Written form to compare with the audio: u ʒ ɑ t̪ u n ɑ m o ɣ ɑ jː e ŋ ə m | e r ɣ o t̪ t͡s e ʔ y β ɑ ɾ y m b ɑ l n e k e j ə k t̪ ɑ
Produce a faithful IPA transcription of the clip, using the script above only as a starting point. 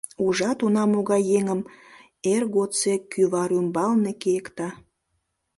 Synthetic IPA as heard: u ʒ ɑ t̪ u n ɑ m o ɣ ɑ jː e ŋ ə m | e r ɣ o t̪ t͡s e k y β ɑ ɾ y m b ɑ l n e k e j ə k t̪ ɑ